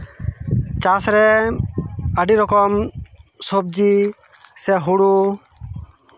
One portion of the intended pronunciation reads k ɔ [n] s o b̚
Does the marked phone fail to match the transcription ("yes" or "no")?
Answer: yes